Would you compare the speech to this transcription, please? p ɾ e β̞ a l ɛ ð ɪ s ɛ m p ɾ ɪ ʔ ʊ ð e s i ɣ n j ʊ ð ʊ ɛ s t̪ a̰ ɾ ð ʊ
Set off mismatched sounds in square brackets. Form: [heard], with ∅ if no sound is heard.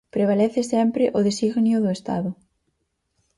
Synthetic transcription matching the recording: p ɾ e β̞ a l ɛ [θ] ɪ s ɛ m p ɾ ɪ ʔ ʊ ð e s i ɣ n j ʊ ð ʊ [e] s t̪ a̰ [∅] ð ʊ